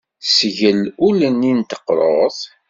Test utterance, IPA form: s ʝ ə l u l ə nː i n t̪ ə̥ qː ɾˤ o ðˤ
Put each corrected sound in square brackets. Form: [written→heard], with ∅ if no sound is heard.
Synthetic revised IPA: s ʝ ə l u l ə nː i n t̪ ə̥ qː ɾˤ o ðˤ

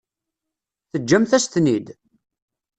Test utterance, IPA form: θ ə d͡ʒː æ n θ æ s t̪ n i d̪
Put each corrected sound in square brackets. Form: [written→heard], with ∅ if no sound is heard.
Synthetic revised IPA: θ ə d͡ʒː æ [n→m] θ æ s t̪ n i d̪

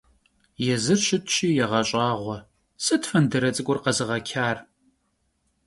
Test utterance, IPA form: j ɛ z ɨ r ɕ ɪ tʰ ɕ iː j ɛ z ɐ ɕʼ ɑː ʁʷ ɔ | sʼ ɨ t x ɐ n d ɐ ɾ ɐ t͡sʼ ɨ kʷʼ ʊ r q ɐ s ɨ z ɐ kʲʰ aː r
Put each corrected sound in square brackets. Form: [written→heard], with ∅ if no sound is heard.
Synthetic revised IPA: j ɛ z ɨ r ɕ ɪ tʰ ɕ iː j ɛ [z→ʁ] ɐ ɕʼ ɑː ʁʷ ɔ | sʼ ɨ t [x→f] ɐ n d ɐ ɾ ɐ t͡sʼ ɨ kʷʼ ʊ r q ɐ [s→z] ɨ [z→ʁ] ɐ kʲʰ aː r

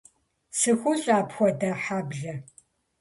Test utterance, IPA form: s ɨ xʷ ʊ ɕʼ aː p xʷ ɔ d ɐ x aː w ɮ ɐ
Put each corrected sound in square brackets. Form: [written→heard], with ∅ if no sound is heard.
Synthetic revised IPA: s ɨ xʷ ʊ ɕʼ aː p xʷ ɔ d ɐ [x→ħ] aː [w→b] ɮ ɐ

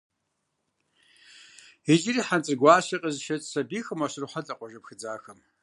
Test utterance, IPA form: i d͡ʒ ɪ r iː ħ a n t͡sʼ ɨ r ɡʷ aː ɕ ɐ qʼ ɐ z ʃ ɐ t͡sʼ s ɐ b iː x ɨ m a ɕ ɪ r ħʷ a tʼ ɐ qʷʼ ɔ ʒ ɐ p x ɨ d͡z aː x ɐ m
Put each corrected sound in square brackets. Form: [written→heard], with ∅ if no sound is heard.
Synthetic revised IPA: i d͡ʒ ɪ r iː ħ a n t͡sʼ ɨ r ɡʷ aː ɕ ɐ qʼ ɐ z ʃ ɐ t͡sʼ s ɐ b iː x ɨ m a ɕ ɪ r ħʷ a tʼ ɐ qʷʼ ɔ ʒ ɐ p x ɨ d͡z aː x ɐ m

